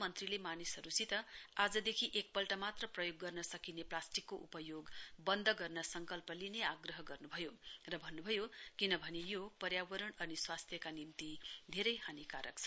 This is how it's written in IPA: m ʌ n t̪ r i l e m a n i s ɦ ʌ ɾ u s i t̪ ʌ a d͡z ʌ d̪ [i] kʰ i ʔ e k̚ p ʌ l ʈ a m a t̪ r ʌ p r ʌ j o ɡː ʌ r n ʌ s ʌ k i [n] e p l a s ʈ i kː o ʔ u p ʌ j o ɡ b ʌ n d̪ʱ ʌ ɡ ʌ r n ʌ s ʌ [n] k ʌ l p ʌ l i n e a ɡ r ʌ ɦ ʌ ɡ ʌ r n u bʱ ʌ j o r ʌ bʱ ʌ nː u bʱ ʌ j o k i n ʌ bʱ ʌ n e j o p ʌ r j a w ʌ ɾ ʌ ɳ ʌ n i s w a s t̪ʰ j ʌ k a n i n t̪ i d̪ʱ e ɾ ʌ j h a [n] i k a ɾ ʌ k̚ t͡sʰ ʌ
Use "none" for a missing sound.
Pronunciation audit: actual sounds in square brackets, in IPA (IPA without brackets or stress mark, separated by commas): e, n, ŋ, n